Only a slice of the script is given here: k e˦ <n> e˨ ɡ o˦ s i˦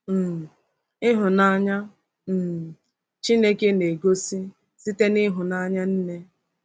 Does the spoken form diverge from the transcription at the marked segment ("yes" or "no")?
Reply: no